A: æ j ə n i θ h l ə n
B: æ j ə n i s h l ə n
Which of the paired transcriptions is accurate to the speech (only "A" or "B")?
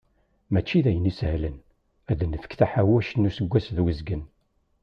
B